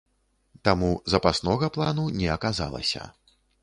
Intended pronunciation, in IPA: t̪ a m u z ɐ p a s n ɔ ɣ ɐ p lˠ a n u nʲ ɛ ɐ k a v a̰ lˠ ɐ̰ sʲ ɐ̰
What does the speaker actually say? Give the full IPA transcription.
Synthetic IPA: t̪ a m u z ɐ p a s n ɔ ɣ ɐ p lˠ a n u nʲ ɛ ɐ k a z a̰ lˠ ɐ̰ sʲ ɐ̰